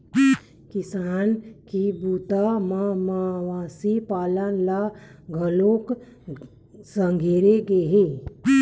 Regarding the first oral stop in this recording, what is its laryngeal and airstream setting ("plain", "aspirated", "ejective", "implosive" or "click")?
plain